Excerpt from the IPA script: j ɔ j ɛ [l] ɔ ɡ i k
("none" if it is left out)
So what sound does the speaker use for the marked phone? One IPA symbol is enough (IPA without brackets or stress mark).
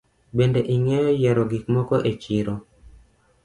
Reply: ɾ